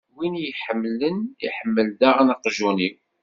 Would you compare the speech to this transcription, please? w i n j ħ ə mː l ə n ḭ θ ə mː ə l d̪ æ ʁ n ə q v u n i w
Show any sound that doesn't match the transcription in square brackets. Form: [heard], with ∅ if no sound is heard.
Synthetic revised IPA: w i n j ħ ə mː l ə n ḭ [ħ] ə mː ə l d̪ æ ʁ n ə q [ʒ] u n i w